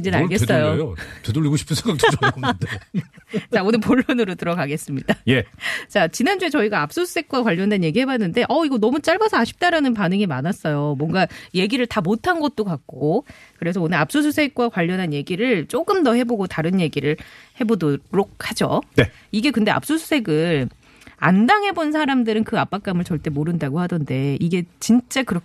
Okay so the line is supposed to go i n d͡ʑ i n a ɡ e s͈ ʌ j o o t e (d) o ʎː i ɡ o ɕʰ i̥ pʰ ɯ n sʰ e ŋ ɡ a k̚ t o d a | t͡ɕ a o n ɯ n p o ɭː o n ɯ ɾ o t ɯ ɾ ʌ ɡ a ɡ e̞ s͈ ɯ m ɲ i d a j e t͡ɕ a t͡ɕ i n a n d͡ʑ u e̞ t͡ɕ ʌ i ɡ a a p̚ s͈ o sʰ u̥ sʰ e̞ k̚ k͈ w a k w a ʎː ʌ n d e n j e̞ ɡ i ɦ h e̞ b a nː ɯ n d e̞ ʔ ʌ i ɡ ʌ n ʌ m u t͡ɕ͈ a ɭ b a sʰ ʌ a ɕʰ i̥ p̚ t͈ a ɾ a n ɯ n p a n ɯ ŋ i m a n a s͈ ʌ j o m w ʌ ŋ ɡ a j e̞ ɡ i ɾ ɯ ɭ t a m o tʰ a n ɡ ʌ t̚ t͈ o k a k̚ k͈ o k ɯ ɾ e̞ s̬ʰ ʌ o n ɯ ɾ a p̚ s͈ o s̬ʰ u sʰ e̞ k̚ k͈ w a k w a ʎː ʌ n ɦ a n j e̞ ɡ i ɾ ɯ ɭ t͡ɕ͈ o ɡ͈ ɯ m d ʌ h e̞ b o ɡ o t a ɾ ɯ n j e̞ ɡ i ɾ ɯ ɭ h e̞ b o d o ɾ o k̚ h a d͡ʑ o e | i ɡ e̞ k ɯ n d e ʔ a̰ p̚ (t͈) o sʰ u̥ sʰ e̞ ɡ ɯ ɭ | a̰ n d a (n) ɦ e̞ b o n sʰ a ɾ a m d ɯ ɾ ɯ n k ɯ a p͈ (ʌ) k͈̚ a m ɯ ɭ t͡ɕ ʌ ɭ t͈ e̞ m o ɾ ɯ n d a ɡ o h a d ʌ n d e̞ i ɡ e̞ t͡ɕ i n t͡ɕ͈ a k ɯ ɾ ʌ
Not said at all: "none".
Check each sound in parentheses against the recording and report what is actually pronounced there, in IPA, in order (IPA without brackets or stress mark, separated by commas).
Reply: d, s͈, ŋ, a